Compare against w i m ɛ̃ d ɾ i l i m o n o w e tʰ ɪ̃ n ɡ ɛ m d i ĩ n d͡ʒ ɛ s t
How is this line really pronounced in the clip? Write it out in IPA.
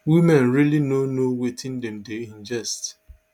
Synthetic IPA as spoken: w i m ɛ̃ n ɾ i l i n o n o w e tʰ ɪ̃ n d ɛ m d e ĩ n d͡ʒ ɛ s t

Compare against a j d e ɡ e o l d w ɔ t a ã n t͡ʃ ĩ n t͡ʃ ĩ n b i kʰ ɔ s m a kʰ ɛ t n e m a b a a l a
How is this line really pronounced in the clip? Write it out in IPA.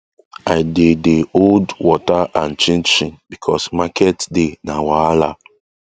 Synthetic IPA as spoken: a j d e d e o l d w ɔ t a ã n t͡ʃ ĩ n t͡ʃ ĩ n b i kʰ ɔ s m a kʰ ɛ t d e n a w a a l a

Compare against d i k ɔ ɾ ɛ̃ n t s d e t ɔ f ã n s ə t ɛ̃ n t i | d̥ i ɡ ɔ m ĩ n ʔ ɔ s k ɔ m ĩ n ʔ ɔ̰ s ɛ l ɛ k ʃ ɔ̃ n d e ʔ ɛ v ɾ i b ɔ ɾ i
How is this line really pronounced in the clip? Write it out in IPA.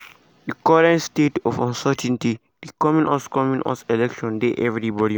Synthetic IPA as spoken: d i k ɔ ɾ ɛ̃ n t s t e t ɔ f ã n s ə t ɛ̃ n t i | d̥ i k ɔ m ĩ n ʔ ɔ s k ɔ m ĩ n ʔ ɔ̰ s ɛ l ɛ k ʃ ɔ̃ n d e ʔ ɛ v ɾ i b ɔ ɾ i

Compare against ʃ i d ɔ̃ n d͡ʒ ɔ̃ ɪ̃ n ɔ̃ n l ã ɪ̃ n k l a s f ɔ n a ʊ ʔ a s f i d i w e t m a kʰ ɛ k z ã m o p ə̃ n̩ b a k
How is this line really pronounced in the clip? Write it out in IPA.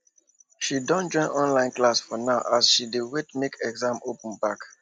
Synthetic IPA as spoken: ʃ i d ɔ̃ n d͡ʒ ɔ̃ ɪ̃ n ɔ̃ n l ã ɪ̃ n k l a s f ɔ n a ʊ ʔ a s ʃ i d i w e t m e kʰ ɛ ɡ z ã m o p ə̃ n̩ b a k

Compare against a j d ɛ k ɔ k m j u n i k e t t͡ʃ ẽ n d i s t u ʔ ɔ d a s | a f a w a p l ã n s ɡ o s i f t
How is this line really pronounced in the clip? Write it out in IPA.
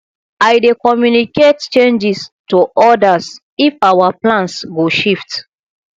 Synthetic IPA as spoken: a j d e k ɔ m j u n i k e t t͡ʃ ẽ n d͡ʒ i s t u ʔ ɔ d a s | i f a w a p l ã n s ɡ o ʃ i f t

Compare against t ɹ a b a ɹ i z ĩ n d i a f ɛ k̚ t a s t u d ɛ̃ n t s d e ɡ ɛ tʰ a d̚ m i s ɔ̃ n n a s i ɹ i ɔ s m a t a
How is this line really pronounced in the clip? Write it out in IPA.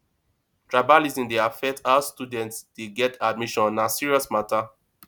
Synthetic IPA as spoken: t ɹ a b a l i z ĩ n d e a f ɛ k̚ t a s t u d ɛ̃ n t s d e ɡ ɛ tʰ a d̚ m i ʃ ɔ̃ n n a s i ɹ i ɔ s m a t a

